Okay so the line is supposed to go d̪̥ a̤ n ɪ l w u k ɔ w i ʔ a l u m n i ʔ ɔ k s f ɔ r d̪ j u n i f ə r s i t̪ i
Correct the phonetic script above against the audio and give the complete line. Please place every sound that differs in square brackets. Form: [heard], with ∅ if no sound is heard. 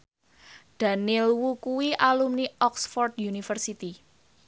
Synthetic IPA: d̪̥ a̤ n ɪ l w u k [u] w i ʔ a l u m n i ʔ ɔ k s f ɔ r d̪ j u n i f ə r s i t̪ i